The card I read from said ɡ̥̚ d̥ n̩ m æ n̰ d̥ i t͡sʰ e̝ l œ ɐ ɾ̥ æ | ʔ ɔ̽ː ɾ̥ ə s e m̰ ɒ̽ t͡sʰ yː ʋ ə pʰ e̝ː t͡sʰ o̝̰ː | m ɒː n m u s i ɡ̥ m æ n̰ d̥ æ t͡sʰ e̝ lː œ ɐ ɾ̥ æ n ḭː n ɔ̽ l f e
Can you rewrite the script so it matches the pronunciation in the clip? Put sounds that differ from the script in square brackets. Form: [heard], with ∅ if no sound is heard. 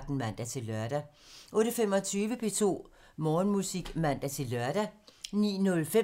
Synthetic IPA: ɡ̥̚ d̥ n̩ m æ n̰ d̥ [æ] t͡sʰ e̝ l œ ɐ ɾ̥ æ | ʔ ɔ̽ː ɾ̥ ə [f] e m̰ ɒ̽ t͡sʰ yː ʋ ə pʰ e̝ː t͡sʰ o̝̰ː | m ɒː n m u s i ɡ̥ m æ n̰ d̥ æ t͡sʰ e̝ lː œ ɐ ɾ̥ æ n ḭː n ɔ̽ l f e